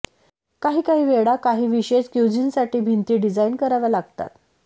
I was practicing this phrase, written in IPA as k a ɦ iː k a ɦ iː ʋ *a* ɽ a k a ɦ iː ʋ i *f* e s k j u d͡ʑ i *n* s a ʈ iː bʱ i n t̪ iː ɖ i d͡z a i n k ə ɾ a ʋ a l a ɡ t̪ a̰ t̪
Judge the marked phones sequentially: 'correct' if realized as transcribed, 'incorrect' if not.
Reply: incorrect: e, incorrect: ɕ, correct

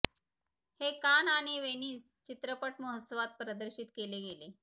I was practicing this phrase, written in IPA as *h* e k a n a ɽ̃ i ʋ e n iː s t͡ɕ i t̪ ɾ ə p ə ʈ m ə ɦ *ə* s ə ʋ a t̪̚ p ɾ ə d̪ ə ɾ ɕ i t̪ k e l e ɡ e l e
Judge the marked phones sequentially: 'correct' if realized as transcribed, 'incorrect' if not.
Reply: correct, correct

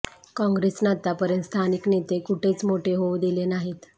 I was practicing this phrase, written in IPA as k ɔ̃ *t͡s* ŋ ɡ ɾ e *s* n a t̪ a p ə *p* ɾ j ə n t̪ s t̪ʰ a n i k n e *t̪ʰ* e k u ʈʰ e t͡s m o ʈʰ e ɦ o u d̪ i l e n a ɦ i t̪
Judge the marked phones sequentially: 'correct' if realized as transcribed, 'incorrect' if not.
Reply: incorrect: none, correct, incorrect: none, incorrect: t̪

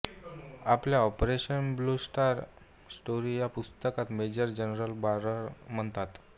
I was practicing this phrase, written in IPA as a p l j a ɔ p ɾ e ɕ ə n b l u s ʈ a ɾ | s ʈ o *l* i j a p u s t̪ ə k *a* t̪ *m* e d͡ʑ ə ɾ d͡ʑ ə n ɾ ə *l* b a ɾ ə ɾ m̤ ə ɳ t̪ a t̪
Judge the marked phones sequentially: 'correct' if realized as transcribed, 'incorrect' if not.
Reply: incorrect: ɾ, correct, correct, correct

